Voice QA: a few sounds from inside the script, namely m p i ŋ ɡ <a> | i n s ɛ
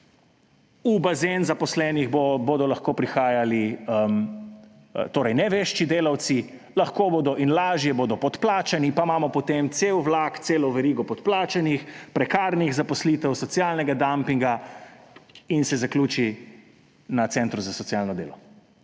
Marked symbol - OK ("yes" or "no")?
yes